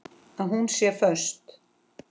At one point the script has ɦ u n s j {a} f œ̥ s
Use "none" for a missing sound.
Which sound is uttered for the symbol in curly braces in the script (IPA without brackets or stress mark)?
ɛ